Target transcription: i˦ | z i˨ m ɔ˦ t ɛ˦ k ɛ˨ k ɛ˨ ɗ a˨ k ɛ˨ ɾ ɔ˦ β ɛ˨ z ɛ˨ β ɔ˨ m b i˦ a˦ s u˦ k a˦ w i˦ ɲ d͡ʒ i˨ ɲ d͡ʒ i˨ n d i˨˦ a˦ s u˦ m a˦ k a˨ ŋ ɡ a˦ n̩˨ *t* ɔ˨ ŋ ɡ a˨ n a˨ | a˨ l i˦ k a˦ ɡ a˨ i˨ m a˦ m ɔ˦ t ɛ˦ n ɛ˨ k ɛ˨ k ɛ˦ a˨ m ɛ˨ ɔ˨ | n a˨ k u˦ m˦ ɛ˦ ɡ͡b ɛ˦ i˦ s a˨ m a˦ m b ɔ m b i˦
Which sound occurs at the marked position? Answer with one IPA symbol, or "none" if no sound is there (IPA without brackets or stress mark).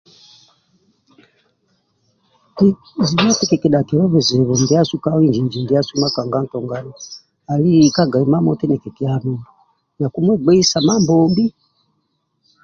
t